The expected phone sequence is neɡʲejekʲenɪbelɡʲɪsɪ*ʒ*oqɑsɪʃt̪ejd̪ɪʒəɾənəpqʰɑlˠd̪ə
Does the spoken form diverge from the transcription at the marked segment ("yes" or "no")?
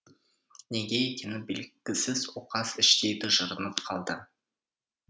yes